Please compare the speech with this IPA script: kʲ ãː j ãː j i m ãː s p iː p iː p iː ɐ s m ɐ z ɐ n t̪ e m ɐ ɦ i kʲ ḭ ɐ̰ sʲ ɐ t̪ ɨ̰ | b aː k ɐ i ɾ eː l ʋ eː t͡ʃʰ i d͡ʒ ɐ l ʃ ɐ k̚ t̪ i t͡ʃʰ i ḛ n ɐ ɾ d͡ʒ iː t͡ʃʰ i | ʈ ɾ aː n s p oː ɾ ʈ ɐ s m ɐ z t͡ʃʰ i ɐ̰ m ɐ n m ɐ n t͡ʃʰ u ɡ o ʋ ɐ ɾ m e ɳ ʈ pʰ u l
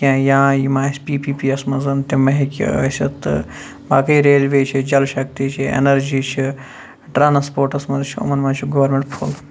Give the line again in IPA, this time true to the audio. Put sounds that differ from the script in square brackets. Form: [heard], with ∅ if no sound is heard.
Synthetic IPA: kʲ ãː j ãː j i m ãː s p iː p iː p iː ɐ s m ɐ z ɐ n t̪ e m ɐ ɦ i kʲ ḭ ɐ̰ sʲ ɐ t̪ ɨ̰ | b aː k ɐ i ɾ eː l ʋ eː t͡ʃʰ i d͡ʒ ɐ l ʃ ɐ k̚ t̪ i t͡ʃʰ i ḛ n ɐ ɾ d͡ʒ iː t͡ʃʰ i | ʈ ɾ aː n s p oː ɾ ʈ ɐ s m ɐ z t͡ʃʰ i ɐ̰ m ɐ n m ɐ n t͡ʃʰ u ɡ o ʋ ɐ ɾ m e ɳ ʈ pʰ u l